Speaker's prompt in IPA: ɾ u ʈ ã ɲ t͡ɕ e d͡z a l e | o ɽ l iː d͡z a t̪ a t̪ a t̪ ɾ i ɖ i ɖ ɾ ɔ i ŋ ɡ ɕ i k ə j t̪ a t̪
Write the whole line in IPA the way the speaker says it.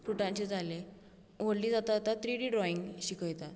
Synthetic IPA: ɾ u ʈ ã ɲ t͡ɕ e d͡z a l e | o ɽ l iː d͡z a t̪ a t̪ a t̪ ɾ i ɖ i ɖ ɾ ɔ i ŋ ɡ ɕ i k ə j t̪ a t̪